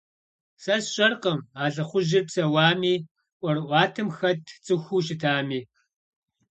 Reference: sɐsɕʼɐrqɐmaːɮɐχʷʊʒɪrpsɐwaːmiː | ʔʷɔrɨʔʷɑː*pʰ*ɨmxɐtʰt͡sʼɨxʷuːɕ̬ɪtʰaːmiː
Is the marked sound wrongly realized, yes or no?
yes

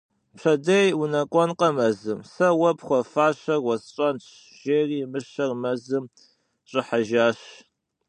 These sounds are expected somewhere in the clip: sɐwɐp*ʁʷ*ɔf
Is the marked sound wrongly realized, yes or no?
yes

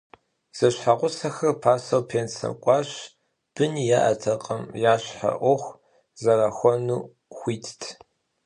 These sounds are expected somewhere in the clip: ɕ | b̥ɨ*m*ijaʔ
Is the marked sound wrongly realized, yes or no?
yes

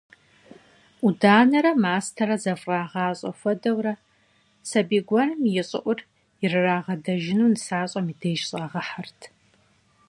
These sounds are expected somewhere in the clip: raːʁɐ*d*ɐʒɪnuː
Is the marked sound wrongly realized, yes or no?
no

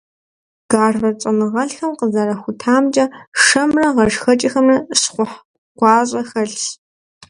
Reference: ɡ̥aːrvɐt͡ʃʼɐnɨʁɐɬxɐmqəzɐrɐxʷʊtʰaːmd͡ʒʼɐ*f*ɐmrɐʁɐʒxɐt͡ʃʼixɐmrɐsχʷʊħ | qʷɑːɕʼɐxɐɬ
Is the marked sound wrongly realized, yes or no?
yes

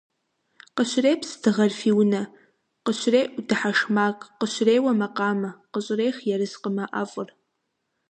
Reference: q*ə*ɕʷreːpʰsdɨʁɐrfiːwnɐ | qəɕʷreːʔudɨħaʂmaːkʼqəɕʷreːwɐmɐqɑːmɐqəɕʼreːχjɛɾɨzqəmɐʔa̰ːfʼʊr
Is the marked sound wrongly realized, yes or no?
no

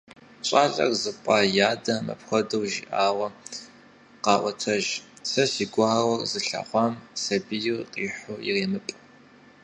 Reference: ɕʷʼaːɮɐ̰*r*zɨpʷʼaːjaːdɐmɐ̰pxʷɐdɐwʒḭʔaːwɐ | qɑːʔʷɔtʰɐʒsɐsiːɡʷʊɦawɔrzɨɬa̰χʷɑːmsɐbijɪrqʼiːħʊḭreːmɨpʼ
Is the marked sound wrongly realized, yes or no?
no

